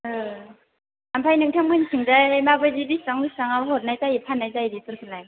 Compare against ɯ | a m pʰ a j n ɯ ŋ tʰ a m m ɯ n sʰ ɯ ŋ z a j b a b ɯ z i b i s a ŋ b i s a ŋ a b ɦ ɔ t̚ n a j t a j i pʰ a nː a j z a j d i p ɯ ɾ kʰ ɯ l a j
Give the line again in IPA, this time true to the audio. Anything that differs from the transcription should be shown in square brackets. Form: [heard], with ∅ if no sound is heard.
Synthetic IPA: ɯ | a m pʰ a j n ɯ ŋ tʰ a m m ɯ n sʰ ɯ ŋ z a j [m] a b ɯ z i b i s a ŋ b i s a ŋ a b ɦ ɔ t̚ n a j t a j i pʰ a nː a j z a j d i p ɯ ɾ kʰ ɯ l a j